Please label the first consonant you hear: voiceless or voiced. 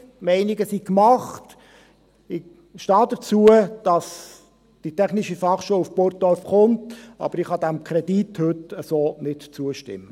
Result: voiced